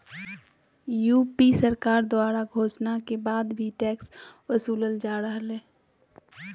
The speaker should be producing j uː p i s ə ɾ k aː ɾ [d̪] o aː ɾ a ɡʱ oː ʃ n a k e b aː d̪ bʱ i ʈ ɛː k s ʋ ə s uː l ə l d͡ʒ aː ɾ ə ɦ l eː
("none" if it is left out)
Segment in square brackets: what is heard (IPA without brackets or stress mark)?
d̪